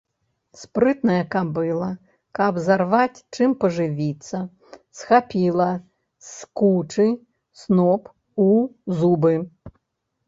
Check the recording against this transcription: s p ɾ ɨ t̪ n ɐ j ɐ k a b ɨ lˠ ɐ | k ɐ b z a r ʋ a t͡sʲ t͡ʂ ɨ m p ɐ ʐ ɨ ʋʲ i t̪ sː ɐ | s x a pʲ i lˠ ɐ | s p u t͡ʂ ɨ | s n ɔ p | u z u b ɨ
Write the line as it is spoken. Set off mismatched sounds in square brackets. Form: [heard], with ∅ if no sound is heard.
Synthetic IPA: s p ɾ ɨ t̪ n ɐ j ɐ k a b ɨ lˠ ɐ | k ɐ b z a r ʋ a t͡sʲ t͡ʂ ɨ m p ɐ ʐ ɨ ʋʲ i t̪ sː ɐ | s x a pʲ i lˠ ɐ | s [k] u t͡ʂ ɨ | s n ɔ p | u z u b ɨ